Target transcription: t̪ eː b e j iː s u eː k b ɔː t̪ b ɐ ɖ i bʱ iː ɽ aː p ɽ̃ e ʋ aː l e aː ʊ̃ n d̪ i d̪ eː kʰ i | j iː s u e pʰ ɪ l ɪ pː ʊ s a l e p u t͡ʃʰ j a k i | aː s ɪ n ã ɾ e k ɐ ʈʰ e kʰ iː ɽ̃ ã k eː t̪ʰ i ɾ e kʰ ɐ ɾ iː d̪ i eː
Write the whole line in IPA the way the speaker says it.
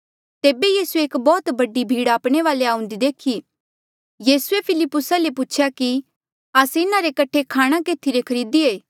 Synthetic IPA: t̪ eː b e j iː s u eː k b ɔː t̪ b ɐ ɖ i bʱ iː ɽ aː p ɽ̃ e ʋ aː l e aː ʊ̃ n d̪ i d̪ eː kʰ i | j iː s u e pʰ ɪ l ɪ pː ʊ s a l e p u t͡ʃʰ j a k i | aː s ɪ n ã ɾ e k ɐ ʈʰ e kʰ aː ɽ̃ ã k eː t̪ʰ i ɾ e kʰ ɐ ɾ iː d̪ i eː